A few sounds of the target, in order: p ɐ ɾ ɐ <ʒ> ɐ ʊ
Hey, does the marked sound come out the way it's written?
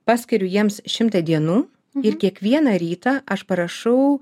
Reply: no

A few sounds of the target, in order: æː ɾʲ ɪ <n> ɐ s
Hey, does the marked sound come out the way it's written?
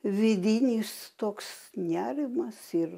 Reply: no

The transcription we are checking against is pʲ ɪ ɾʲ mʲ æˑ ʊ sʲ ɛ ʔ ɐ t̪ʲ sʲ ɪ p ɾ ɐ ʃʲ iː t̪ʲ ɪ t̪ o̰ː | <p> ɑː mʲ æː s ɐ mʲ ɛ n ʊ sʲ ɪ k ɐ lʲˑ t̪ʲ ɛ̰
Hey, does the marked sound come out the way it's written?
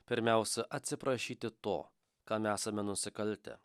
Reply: no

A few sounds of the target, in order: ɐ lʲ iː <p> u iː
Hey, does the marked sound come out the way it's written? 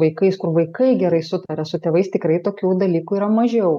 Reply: no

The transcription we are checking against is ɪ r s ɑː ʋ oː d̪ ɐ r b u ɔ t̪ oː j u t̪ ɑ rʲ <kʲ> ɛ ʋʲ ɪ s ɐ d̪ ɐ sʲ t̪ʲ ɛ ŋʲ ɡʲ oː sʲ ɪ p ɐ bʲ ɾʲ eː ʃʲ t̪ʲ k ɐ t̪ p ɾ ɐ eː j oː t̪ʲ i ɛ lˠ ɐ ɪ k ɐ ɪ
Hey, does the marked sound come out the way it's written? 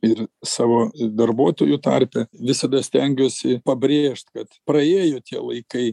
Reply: no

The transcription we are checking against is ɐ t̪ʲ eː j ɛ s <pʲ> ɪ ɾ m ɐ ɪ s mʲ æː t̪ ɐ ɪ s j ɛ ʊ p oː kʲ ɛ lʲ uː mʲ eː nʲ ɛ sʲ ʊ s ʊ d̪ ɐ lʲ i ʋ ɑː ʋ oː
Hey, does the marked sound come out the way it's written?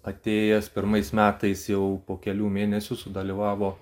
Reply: yes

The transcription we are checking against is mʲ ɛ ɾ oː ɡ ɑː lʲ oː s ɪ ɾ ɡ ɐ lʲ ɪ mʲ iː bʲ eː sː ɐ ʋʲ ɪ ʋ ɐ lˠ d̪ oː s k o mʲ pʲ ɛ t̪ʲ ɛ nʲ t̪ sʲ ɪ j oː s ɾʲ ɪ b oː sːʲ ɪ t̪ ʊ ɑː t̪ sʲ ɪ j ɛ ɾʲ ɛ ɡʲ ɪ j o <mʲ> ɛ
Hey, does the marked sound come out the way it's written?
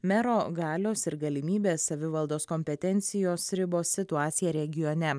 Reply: no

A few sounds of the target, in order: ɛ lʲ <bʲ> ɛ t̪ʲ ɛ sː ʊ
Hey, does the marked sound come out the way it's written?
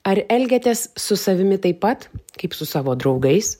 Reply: no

